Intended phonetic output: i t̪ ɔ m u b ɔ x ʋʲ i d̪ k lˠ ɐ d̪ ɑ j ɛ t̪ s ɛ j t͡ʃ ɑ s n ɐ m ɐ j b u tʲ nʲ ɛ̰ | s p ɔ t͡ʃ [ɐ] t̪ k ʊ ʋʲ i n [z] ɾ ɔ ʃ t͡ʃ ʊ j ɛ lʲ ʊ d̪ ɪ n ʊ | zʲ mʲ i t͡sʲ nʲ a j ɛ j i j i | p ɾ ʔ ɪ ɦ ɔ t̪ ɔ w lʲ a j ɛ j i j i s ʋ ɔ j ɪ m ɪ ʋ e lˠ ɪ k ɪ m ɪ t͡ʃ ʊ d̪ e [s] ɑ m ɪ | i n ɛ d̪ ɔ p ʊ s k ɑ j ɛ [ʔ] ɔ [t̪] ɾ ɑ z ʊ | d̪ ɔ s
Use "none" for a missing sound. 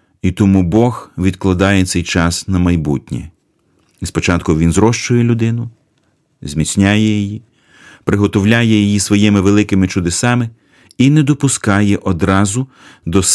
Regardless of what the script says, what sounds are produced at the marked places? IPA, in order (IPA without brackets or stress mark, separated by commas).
ɑ, z, s, ʔ, d̪